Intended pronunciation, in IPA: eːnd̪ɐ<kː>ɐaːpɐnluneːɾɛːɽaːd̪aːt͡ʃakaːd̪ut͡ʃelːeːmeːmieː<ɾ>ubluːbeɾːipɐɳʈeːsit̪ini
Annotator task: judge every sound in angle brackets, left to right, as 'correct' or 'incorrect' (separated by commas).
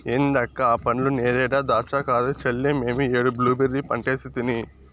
correct, incorrect